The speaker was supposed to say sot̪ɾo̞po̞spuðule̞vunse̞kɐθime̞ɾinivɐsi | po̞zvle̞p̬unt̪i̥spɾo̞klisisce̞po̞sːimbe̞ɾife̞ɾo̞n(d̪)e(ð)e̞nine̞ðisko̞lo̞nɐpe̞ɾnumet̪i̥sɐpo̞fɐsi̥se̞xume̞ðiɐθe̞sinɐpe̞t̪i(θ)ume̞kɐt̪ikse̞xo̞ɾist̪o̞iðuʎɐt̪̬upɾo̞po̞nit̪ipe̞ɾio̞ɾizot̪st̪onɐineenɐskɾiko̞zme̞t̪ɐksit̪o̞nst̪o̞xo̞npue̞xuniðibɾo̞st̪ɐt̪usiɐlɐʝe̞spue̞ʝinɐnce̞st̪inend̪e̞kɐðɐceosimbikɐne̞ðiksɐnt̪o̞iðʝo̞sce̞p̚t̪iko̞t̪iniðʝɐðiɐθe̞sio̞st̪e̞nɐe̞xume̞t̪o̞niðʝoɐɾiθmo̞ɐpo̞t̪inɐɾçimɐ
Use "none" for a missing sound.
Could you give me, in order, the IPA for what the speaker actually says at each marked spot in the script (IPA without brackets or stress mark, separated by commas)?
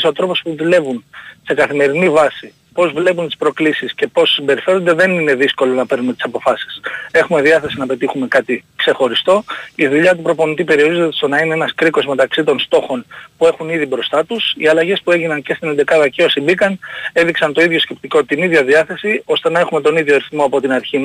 d̪, ð, x